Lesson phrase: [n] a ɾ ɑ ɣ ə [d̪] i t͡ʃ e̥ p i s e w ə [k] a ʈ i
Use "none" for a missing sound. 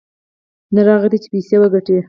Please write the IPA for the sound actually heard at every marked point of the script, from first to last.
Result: n, d̪, ɡ

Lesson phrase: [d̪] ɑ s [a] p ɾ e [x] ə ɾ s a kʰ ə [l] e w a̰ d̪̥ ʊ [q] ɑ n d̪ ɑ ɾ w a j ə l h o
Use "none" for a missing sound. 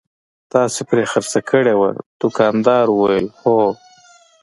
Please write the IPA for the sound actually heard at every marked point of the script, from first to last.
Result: t̪, e, x, ɽ, k

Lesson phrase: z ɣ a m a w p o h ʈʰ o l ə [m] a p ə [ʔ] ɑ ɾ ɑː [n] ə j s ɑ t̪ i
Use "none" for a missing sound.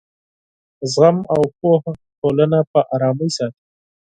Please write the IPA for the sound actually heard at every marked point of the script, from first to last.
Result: n, ʔ, m

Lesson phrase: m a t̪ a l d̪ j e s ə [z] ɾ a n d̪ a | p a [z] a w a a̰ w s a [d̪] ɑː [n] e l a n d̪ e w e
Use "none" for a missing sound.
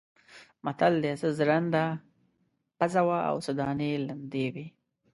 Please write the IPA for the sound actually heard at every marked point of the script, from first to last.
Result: z, z, d̪, n

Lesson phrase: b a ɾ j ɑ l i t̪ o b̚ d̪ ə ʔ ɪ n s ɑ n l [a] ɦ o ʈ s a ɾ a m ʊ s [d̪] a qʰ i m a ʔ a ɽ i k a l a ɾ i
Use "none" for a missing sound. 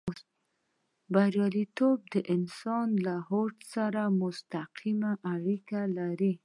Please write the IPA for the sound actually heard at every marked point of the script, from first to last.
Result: a, t̪

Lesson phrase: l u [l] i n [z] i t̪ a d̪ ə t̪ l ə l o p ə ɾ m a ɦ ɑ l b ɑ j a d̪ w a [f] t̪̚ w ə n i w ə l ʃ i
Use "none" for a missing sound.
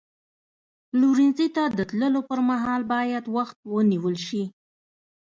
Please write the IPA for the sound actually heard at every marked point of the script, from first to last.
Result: ɾ, z, x

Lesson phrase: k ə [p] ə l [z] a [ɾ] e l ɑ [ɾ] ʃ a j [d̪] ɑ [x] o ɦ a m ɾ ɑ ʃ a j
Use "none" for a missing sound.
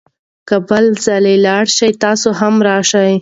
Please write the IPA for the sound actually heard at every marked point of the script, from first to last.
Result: b, z, l, ɽ, t̪, s

